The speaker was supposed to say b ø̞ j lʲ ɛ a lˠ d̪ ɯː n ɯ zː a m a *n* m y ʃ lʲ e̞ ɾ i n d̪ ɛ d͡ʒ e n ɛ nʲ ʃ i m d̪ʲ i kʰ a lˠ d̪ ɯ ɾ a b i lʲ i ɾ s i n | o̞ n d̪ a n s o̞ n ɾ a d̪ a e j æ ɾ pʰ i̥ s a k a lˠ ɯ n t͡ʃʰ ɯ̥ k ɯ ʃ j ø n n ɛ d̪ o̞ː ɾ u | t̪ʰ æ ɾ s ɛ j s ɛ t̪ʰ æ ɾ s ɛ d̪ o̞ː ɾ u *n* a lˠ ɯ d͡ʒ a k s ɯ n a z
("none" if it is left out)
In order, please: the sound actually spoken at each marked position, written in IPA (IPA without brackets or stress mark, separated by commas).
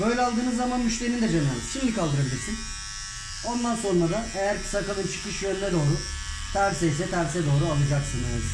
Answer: n, none